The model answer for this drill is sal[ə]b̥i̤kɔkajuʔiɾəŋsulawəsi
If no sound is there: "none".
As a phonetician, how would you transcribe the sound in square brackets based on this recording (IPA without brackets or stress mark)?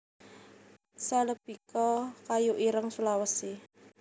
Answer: ə